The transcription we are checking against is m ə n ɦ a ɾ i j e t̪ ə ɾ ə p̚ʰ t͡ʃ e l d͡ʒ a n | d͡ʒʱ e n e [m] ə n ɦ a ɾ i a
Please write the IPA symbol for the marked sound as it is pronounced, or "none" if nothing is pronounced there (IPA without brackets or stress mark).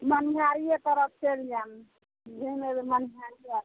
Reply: m